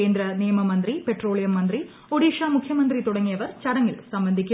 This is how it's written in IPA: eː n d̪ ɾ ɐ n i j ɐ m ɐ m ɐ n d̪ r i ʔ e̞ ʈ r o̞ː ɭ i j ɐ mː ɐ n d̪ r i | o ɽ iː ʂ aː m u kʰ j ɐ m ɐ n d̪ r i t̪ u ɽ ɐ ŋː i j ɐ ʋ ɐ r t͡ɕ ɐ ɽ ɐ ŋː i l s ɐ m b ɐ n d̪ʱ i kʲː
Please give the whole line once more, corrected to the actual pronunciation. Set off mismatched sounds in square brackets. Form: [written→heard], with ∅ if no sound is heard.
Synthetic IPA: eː n d̪ ɾ ɐ n i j ɐ m ɐ m ɐ n d̪ r i [ʔ→p] e̞ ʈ r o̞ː ɭ i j ɐ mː ɐ n d̪ r i | o ɽ iː ʂ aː m u kʰ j ɐ m ɐ n d̪ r i t̪ u ɽ ɐ ŋː i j ɐ ʋ ɐ r t͡ɕ ɐ ɽ ɐ ŋː i l s ɐ m b ɐ n d̪ʱ i kʲː

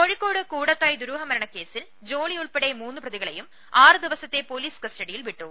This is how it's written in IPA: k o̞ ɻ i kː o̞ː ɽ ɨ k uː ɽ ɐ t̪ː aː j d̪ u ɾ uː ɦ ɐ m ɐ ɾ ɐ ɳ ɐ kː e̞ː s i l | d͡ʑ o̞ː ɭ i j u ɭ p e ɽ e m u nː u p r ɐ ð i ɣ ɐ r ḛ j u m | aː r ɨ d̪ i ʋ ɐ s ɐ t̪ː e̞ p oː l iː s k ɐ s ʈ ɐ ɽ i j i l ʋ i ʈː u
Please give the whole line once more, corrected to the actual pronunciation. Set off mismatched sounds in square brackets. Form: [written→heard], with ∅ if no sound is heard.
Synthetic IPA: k o̞ ɻ i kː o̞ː ɽ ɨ k uː ɽ ɐ t̪ː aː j d̪ u ɾ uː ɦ ɐ m ɐ ɾ ɐ ɳ ɐ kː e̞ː s i l | d͡ʑ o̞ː ɭ i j u ɭ p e ɽ e m [u→uː] nː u p r ɐ ð i ɣ ɐ [r→ɭ] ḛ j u m | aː r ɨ d̪ i ʋ ɐ s ɐ t̪ː e̞ p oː l iː s k ɐ s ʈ ɐ ɽ i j i l ʋ i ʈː u

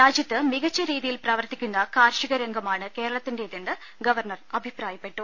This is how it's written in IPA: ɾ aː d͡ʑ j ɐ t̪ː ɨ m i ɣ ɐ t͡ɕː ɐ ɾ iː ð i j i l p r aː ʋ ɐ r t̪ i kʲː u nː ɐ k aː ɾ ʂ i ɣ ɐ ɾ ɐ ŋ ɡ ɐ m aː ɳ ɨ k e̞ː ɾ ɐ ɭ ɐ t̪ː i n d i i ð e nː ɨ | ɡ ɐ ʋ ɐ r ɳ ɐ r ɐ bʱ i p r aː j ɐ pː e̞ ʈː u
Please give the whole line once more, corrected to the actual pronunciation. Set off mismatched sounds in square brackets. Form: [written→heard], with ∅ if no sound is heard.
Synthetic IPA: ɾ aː d͡ʑ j ɐ t̪ː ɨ m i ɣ ɐ t͡ɕː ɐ ɾ iː ð i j i l p r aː ʋ ɐ r t̪ i kʲː u nː ɐ k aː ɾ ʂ i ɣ ɐ ɾ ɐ ŋ ɡ ɐ m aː ɳ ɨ k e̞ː ɾ ɐ ɭ ɐ t̪ː i n d [i→e] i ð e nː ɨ | ɡ ɐ ʋ ɐ r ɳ ɐ r ɐ bʱ i p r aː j ɐ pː e̞ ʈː u

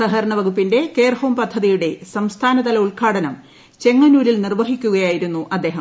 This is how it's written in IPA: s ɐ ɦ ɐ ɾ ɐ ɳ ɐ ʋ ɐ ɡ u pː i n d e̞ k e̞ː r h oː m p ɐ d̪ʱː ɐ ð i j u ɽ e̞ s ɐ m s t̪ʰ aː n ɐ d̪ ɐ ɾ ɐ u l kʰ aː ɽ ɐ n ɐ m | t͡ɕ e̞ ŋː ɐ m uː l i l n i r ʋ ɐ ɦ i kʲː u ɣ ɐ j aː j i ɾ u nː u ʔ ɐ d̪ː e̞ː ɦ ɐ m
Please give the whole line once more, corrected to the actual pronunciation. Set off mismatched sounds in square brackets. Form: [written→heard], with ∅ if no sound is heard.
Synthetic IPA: s ɐ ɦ ɐ ɾ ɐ ɳ ɐ ʋ ɐ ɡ u pː i n d e̞ k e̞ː r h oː m p ɐ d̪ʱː ɐ ð i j u ɽ e̞ s ɐ m s t̪ʰ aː n ɐ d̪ ɐ [ɾ→l] ɐ u [l→ɭ] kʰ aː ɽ ɐ n ɐ m | t͡ɕ e̞ ŋː ɐ [m→n] uː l i l n i r ʋ ɐ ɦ i kʲː u ɣ ɐ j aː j i ɾ u nː u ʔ ɐ d̪ː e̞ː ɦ ɐ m

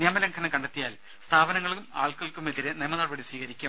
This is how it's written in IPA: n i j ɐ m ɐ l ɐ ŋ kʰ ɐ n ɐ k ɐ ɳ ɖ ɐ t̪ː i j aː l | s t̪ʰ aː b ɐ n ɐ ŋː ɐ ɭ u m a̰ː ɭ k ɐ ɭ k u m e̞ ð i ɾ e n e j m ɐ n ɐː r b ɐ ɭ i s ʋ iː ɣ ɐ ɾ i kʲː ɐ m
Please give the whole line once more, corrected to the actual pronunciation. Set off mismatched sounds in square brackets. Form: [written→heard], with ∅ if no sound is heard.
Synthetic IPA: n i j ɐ m ɐ l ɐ ŋ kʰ ɐ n ɐ k ɐ ɳ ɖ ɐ t̪ː i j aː l | s t̪ʰ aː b ɐ n ɐ ŋː ɐ ɭ u m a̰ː ɭ k ɐ ɭ k u m e̞ ð i ɾ e n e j m ɐ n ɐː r b ɐ [ɭ→ɽ] i s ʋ iː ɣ ɐ ɾ i kʲː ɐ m

